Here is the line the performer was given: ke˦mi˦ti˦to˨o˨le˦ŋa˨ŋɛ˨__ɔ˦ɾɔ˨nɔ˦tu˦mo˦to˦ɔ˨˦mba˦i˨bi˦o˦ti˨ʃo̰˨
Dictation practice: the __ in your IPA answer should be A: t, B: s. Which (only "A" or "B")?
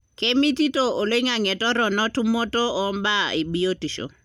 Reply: A